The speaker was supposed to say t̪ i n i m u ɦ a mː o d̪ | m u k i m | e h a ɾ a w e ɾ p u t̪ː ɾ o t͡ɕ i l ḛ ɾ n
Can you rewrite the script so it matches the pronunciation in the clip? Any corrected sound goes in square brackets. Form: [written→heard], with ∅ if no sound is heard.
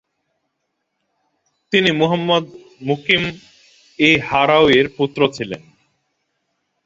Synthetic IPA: t̪ i n i m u ɦ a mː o d̪ | m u k i m | e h a ɾ a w e ɾ p u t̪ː ɾ o [t͡ɕ→t͡ɕʰ] i l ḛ [ɾ→∅] n

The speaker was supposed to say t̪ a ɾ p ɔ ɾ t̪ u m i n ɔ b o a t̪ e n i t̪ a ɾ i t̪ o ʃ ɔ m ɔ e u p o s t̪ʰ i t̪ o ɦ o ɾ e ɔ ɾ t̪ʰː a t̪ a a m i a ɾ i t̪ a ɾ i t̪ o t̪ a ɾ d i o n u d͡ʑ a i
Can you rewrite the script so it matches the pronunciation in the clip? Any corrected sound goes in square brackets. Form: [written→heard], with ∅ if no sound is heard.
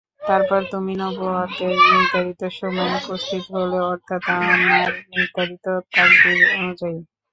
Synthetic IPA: t̪ a ɾ p ɔ ɾ t̪ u m i n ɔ b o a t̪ e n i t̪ a ɾ i t̪ o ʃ ɔ m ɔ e u p o s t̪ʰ i t̪ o ɦ o [ɾ→l] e ɔ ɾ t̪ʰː a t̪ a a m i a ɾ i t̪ a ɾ i t̪ o t̪ a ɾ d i o n u d͡ʑ a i

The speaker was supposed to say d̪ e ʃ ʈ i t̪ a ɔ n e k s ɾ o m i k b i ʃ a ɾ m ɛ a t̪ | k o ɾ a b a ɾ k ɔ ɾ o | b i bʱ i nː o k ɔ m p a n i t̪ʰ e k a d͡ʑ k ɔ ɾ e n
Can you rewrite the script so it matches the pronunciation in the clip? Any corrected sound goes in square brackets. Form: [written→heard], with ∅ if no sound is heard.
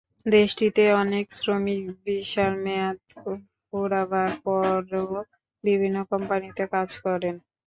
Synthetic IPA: d̪ e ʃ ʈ i t̪ [a→e] ɔ n e k s ɾ o m i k b i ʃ a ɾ m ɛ a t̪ | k o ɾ a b a ɾ [k→p] ɔ ɾ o | b i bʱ i nː o k ɔ m p a n i [t̪ʰ→t̪] e k a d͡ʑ k ɔ ɾ e n

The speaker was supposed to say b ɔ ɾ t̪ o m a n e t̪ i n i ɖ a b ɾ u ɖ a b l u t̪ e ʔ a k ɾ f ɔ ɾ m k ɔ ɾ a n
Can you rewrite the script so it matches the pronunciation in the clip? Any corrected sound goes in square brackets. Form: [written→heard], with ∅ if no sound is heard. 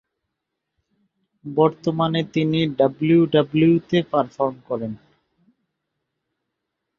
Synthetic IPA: b ɔ ɾ t̪ o m a n e t̪ i n i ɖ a b [ɾ→l] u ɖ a b l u t̪ e [ʔ→p] a [k→∅] ɾ f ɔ ɾ m k ɔ ɾ [a→e] n

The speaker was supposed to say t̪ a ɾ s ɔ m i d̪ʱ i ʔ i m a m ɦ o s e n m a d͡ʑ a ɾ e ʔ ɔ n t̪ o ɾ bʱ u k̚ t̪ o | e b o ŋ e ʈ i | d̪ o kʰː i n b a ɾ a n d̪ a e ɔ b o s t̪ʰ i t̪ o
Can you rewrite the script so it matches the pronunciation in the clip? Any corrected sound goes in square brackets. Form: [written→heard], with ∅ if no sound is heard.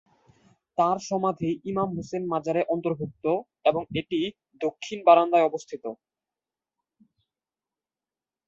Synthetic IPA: t̪ a ɾ [s→ʃ] ɔ m [i→a] d̪ʱ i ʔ i m a m ɦ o s e n m a d͡ʑ a ɾ e ʔ ɔ n t̪ o ɾ bʱ u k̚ t̪ o | e b o ŋ e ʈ i | d̪ o kʰː i n b a ɾ a n d̪ a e ɔ b o s t̪ʰ i t̪ o

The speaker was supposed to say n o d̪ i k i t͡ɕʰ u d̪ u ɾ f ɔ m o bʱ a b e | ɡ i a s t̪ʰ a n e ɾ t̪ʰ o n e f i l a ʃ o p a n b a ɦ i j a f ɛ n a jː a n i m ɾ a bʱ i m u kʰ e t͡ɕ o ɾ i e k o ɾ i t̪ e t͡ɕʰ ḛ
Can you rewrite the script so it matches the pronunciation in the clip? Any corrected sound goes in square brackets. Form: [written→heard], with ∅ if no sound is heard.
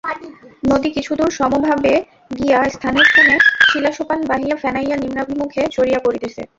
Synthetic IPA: n o d̪ i k i t͡ɕʰ u d̪ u ɾ [f→ʃ] ɔ m o bʱ a b e | ɡ i a s t̪ʰ a n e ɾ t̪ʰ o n e [f→ʃ] i l a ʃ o p a n b a ɦ i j a f ɛ n a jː a n i m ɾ a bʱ i m u kʰ e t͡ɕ o ɾ i [e→a] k o ɾ i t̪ e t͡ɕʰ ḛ

